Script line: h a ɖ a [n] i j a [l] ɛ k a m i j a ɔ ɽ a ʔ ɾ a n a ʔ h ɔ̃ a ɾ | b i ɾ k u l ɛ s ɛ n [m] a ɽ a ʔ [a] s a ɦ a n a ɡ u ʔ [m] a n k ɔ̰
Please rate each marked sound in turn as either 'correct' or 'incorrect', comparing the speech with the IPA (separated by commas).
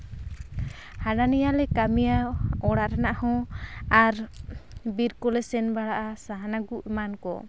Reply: correct, correct, incorrect, correct, correct